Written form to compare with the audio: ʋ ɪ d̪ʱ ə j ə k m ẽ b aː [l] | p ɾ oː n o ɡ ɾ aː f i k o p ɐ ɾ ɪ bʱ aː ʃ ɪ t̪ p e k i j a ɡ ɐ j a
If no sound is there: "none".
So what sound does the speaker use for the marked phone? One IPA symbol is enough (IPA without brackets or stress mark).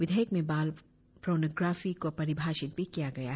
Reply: l